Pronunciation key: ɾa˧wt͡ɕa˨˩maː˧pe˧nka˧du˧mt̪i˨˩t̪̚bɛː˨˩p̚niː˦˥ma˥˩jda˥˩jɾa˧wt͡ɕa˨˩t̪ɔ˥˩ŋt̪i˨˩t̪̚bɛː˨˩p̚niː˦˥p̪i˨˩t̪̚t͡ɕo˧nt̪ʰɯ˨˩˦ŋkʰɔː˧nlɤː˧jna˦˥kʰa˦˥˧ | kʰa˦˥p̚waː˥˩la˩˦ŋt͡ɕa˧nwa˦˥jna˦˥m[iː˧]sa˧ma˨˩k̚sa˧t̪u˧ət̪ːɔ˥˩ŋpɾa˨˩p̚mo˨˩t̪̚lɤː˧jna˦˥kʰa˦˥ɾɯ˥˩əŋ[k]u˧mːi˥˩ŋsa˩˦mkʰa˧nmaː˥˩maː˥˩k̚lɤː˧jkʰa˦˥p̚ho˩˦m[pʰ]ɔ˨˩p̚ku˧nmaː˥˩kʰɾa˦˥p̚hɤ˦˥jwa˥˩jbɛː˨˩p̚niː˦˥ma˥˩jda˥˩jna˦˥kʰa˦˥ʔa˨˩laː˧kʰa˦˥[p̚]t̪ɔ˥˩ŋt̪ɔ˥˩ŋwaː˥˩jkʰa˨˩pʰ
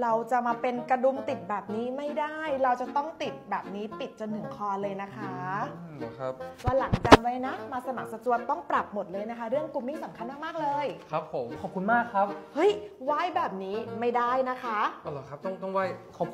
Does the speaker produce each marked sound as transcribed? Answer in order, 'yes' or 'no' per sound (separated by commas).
no, yes, no, yes